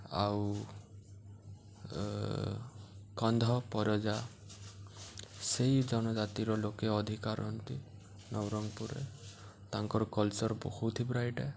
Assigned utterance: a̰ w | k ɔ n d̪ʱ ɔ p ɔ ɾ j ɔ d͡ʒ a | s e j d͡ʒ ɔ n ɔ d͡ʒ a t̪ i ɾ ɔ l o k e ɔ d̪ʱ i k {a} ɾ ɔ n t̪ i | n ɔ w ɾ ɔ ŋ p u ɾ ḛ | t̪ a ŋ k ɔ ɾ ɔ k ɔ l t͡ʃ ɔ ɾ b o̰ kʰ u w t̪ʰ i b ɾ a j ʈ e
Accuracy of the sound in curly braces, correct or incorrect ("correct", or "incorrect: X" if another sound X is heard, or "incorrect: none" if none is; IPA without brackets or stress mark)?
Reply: correct